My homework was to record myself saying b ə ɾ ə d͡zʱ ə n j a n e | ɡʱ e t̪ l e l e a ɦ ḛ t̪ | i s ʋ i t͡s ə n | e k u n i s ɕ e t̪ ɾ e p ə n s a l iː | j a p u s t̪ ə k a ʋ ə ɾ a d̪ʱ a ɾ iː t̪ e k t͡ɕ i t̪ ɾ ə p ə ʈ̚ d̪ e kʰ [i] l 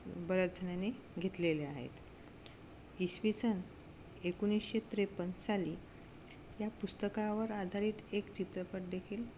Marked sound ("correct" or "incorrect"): incorrect